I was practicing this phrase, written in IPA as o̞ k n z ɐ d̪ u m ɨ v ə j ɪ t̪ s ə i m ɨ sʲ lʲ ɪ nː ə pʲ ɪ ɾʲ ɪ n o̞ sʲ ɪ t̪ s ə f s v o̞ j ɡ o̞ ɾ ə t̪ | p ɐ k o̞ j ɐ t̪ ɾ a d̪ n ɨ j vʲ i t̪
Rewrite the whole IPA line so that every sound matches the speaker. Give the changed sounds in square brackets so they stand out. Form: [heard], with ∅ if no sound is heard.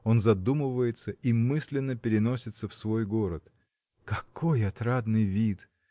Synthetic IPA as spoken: o̞ [∅] n z ɐ d̪ u m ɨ v ə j ɪ t̪ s ə i m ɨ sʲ lʲ ɪ nː ə pʲ ɪ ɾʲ ɪ n o̞ sʲ ɪ t̪ s ə f s v o̞ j ɡ o̞ ɾ ə t̪ | [k] ɐ k o̞ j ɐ t̪ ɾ a d̪ n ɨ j vʲ i t̪